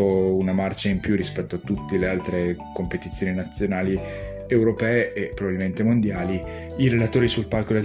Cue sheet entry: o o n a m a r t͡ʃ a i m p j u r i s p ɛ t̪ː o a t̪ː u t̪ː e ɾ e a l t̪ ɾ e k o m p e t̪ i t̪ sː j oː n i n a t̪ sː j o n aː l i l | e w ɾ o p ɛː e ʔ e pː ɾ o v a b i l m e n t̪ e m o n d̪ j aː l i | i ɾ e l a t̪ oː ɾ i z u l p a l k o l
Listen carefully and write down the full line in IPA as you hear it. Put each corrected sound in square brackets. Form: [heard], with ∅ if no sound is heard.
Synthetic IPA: o [u] n a m a r t͡ʃ a i m p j u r i s p ɛ t̪ː o a t̪ː u t̪ː e [l] e a l t̪ ɾ e k o m p e t̪ i t̪ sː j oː n i n a t̪ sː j o n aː l i [∅] | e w ɾ o p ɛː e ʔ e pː ɾ o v a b i l m e n t̪ e m o n d̪ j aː l i | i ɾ e l a t̪ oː ɾ i [s] u l p a l k o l